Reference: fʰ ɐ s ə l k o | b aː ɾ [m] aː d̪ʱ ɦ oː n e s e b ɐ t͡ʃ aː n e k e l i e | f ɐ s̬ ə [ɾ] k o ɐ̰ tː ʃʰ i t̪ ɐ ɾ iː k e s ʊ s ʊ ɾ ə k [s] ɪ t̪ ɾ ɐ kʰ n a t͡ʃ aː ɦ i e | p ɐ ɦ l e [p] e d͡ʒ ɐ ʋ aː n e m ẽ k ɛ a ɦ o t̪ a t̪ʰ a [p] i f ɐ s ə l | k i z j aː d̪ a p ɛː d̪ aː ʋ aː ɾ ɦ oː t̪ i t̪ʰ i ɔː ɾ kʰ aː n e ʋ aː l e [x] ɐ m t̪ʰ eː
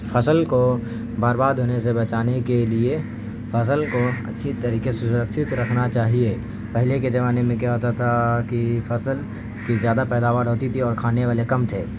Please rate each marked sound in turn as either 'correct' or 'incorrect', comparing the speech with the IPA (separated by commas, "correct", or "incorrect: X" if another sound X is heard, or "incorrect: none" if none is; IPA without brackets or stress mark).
incorrect: b, incorrect: l, incorrect: ʃ, incorrect: k, incorrect: k, incorrect: k